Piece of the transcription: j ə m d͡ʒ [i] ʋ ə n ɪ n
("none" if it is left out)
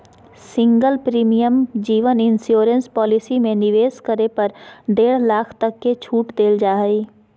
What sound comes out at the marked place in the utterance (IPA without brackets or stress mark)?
iː